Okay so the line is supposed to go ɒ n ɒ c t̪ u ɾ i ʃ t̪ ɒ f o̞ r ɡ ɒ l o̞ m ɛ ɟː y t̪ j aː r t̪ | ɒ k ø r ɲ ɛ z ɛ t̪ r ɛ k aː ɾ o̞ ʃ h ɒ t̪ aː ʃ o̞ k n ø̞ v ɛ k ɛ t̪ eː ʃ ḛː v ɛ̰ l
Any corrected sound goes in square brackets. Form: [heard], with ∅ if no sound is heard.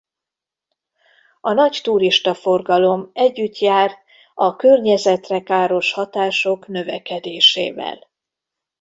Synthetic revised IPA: ɒ n ɒ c t̪ u ɾ i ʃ t̪ ɒ f o̞ r ɡ ɒ l o̞ m ɛ ɟː y t̪ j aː r t̪ | ɒ k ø r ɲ ɛ z ɛ t̪ r ɛ k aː ɾ o̞ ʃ h ɒ t̪ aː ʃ o̞ k n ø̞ v ɛ k ɛ [d̪] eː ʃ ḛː v ɛ̰ l

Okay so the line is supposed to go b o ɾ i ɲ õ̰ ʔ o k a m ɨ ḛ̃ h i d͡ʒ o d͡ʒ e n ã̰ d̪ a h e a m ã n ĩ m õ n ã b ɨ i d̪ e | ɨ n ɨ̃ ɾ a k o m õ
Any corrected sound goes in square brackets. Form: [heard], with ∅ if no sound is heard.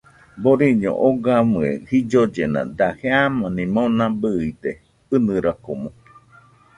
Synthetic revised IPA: b o ɾ i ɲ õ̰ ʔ o [ɡ] a m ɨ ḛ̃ h i d͡ʒ o d͡ʒ e n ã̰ d̪ a h e a m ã n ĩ m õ n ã b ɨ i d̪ e | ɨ n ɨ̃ ɾ a k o m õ

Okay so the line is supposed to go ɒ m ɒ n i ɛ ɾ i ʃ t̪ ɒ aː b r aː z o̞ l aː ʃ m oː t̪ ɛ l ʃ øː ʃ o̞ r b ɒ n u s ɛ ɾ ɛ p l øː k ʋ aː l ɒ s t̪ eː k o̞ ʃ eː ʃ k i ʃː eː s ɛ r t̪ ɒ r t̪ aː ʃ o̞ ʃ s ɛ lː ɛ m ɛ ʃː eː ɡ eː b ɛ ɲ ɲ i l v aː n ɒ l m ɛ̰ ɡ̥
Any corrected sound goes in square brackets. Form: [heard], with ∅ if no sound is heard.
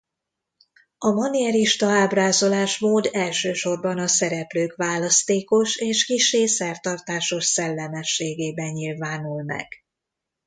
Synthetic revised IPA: ɒ m ɒ n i ɛ ɾ i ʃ t̪ ɒ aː b r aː z o̞ l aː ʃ m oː [d̪] ɛ l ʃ øː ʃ o̞ r b ɒ n [ɒ] s ɛ ɾ ɛ p l øː k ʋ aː l ɒ s t̪ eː k o̞ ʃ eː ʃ k i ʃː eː s ɛ r t̪ ɒ r t̪ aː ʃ o̞ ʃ s ɛ lː ɛ m ɛ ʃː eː ɡ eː b ɛ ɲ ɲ i l v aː n [u] l m ɛ̰ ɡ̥

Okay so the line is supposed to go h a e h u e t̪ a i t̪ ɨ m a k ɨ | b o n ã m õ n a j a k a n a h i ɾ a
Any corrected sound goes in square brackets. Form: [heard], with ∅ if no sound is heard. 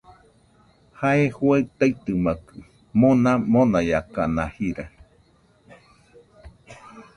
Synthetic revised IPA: h a e h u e t̪ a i t̪ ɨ m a k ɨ | [m] o n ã m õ n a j a k a n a h i ɾ a

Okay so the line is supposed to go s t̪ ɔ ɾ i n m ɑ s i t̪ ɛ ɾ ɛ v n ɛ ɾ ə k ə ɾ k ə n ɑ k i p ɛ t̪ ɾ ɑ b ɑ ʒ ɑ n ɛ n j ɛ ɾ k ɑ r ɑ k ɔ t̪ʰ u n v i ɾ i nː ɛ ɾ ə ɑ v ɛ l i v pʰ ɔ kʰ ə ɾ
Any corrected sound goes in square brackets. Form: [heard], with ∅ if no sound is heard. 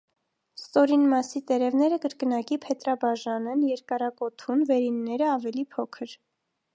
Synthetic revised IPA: s t̪ ɔ ɾ i n m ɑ s i t̪ ɛ ɾ ɛ v n ɛ ɾ ə k ə ɾ k ə n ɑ k i [pʰ] ɛ t̪ ɾ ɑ b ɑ ʒ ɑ n ɛ n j ɛ ɾ k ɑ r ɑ k ɔ t̪ʰ u n v [ɛ] ɾ i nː ɛ ɾ ə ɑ v ɛ l i [∅] pʰ ɔ kʰ ə ɾ

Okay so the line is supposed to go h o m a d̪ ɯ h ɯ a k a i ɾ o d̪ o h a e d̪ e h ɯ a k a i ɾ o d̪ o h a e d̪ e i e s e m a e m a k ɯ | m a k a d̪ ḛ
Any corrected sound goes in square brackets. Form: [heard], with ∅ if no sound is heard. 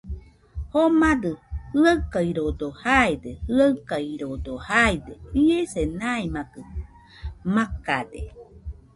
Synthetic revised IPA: h o m a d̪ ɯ h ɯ a k a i ɾ o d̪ o h a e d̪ e h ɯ a k a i ɾ o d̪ o h a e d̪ e i e s e [n] a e m a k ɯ | m a k a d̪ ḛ

